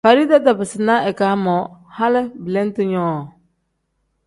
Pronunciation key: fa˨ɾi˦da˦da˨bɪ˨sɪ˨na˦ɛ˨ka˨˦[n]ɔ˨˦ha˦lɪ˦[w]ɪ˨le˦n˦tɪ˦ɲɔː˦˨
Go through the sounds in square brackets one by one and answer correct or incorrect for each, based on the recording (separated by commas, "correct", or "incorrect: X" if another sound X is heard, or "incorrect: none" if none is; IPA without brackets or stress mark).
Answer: incorrect: m, incorrect: b